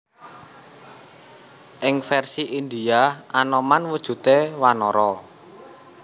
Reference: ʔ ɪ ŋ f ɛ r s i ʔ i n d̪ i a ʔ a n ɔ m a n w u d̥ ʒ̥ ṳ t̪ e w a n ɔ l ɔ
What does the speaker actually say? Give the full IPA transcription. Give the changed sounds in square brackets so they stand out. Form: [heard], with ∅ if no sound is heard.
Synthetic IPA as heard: ʔ ɪ ŋ f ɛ r s i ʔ i n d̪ i a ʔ a n ɔ m a n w u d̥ ʒ̥ ṳ t̪ e w a n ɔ [ɾ] ɔ

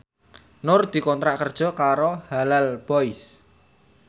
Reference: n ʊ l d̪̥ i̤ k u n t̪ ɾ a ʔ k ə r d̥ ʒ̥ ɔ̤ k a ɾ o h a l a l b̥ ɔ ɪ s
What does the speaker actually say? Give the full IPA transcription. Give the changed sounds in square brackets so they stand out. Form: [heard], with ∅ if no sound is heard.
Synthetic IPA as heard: n ʊ [r] d̪̥ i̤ k [ɔ] n t̪ ɾ a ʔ k ə r d̥ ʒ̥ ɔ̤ k a ɾ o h a l a l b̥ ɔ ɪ s

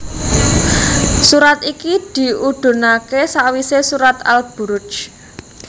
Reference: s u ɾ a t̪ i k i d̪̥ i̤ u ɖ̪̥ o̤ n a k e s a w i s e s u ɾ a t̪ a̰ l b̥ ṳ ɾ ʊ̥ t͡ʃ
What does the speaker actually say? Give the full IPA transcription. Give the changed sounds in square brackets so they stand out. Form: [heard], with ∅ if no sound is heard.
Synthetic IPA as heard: s u ɾ a t̪ i k i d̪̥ i̤ u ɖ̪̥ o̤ n a k e s a w i s e s u ɾ a t̪ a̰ l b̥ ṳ ɾ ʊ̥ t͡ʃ

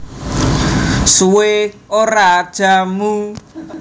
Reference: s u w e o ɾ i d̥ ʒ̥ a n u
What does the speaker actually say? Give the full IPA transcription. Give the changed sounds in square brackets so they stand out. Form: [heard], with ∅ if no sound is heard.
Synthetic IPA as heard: s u w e o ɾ [a] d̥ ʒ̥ a [m] u

